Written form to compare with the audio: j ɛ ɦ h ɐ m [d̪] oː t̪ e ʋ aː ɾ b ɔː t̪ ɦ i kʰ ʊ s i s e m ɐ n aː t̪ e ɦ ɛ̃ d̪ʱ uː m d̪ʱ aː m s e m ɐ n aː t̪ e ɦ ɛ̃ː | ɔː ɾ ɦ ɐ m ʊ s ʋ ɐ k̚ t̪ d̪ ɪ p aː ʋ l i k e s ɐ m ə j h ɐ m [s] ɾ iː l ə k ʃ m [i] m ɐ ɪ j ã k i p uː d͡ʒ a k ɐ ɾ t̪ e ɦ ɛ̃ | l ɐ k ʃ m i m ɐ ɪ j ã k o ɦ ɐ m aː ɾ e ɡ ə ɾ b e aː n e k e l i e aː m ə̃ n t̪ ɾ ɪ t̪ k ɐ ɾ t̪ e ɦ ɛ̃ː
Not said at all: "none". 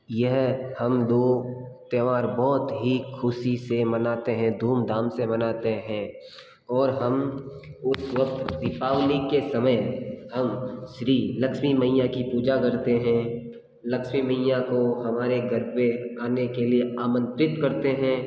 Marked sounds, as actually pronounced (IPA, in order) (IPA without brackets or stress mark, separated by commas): d̪, ʃ, i